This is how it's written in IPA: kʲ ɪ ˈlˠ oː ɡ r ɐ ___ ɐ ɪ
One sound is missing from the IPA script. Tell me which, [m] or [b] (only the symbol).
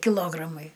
m